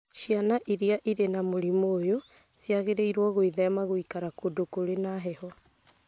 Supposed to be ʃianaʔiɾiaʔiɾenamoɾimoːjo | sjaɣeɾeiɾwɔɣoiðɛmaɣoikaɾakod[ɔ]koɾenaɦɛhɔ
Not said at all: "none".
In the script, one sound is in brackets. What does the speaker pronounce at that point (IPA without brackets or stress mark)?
o